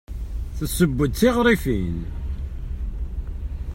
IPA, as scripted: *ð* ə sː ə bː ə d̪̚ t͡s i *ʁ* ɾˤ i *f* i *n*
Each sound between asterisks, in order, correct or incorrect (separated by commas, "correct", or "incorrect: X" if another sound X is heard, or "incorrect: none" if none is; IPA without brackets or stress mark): incorrect: θ, correct, correct, correct